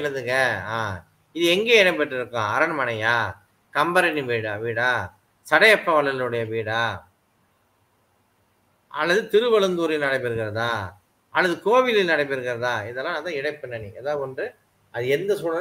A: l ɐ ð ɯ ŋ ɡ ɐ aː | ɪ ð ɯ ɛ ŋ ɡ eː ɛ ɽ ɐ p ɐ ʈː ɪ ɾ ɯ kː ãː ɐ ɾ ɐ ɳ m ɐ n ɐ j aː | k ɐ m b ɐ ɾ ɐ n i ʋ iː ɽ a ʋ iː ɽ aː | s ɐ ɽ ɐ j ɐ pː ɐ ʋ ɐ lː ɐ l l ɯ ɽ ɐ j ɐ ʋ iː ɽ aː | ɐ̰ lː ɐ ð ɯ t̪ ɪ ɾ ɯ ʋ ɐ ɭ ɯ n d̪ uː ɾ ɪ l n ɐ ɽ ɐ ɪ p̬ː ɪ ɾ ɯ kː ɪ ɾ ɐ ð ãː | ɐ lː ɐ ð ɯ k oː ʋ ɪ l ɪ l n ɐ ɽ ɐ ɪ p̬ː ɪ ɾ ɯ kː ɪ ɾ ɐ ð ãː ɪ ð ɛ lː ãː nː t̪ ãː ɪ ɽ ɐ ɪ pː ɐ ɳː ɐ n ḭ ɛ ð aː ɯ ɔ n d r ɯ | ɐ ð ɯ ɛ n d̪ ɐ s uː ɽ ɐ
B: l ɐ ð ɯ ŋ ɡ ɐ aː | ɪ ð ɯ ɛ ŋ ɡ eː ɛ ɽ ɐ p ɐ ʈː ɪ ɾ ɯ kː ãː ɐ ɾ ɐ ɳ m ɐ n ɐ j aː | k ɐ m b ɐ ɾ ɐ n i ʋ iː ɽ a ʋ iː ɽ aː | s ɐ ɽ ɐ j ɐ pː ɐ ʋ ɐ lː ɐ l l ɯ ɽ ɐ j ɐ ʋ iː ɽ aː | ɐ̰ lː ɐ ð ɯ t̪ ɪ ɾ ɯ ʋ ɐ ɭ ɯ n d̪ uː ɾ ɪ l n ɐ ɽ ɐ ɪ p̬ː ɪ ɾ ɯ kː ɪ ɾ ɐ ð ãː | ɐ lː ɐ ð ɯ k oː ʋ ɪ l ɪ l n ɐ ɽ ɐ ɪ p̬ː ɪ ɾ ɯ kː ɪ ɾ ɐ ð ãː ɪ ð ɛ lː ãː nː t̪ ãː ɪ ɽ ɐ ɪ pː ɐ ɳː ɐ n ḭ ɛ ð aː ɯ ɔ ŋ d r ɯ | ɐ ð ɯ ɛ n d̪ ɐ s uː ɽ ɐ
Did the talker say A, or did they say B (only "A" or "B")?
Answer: A